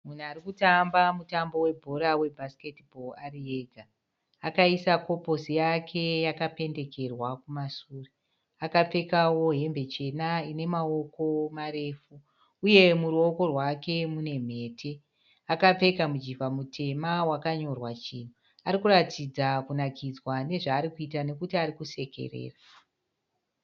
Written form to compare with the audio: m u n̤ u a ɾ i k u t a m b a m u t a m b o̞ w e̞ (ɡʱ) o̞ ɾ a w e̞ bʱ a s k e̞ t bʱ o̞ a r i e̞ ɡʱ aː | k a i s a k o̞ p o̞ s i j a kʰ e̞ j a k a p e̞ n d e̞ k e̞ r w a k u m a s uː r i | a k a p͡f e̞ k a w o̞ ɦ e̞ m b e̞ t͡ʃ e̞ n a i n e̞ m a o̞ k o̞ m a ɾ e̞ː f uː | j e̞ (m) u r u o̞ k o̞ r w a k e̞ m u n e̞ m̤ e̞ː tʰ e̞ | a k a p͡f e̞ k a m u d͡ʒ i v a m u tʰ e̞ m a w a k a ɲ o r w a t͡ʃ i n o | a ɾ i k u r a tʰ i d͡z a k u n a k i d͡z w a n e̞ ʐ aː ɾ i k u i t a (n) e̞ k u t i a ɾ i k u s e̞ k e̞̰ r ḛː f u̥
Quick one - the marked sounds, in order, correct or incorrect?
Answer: incorrect: bʱ, correct, correct

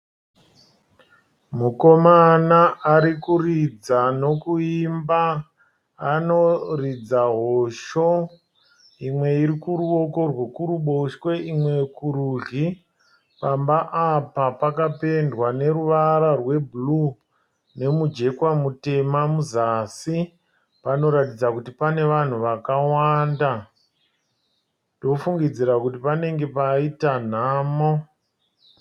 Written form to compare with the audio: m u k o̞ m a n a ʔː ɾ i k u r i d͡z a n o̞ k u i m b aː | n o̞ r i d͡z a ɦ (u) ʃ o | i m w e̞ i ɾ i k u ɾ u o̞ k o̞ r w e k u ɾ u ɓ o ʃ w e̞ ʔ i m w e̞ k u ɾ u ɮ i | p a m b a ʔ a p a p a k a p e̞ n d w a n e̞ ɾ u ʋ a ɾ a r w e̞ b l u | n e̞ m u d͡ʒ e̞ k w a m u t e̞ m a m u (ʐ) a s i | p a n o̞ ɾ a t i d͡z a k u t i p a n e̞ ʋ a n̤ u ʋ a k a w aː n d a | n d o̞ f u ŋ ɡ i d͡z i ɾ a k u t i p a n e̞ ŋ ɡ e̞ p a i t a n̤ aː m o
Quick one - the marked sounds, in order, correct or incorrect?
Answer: incorrect: o, incorrect: z

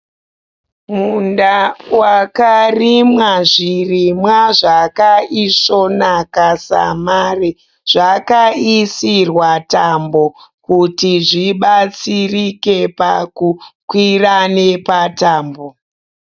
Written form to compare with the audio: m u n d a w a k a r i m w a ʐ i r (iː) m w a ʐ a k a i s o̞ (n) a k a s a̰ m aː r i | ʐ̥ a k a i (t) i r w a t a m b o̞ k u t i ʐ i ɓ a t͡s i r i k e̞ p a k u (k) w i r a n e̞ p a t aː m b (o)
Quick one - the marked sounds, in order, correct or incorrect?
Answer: incorrect: i, correct, incorrect: s, correct, correct

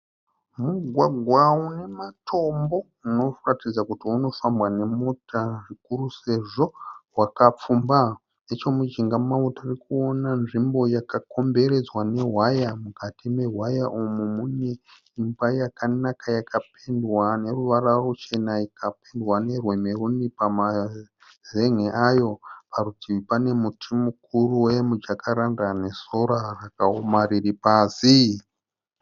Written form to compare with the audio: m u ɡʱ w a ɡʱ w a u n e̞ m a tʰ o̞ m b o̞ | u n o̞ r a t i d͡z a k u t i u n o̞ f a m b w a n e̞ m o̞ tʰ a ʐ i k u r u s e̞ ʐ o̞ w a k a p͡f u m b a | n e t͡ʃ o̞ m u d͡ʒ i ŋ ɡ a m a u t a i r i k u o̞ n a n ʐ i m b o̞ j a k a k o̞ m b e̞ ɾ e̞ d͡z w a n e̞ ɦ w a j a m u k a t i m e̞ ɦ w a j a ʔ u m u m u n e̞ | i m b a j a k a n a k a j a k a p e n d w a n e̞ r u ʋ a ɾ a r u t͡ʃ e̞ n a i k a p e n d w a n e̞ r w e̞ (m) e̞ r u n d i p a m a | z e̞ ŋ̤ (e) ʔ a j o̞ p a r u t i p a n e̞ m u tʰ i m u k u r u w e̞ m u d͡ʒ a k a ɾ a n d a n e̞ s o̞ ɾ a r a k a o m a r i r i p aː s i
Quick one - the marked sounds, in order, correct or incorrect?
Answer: correct, correct

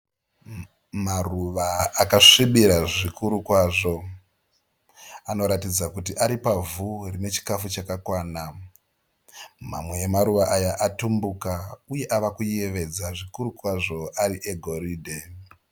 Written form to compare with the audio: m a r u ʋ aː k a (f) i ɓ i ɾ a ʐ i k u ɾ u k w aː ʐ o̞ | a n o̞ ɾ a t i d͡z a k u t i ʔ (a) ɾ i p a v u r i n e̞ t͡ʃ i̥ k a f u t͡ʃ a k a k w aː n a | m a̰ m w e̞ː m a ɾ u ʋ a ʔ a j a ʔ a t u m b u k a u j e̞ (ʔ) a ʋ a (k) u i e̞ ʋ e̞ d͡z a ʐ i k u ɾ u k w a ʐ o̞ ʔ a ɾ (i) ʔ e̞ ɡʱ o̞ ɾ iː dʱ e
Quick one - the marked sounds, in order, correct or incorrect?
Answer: incorrect: ʂ, correct, correct, correct, correct

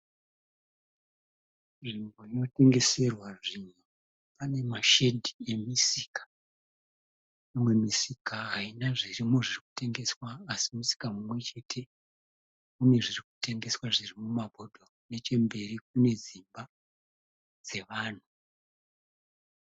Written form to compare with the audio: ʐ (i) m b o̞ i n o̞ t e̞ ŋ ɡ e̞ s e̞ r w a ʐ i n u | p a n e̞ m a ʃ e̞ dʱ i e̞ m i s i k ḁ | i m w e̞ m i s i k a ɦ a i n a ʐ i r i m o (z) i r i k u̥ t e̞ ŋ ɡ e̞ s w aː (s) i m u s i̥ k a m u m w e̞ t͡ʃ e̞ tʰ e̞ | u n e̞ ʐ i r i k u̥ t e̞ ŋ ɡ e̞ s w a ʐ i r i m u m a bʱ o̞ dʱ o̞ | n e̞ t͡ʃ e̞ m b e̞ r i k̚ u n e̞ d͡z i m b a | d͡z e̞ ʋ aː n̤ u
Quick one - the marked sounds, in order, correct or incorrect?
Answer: correct, incorrect: ʐ, correct

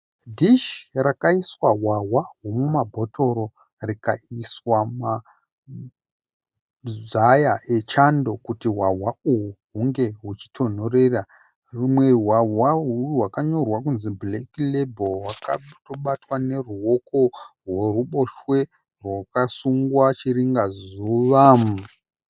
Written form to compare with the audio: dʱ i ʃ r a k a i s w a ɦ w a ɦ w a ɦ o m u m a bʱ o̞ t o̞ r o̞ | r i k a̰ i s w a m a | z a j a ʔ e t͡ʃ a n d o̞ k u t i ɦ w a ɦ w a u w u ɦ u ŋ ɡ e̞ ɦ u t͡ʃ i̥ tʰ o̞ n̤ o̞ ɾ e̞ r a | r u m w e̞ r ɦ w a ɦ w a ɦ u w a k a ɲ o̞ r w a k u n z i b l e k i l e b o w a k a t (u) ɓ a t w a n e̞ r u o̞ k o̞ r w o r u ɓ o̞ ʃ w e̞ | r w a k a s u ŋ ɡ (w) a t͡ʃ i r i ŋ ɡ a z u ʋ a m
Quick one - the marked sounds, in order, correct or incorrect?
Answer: incorrect: o, correct

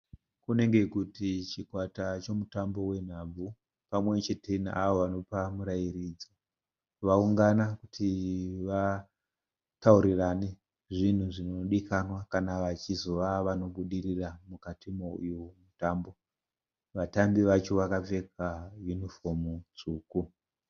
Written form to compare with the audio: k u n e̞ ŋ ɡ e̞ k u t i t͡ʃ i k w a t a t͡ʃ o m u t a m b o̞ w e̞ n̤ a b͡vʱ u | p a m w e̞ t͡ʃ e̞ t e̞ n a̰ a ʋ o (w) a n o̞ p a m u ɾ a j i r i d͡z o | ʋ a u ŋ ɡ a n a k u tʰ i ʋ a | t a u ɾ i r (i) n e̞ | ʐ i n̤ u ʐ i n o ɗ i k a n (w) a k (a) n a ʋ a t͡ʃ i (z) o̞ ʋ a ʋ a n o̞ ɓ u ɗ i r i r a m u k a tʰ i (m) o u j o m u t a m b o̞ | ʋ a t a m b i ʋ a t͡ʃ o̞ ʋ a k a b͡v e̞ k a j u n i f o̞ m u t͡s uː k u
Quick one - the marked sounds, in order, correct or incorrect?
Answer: incorrect: ʋ, incorrect: a, correct, correct, correct, correct

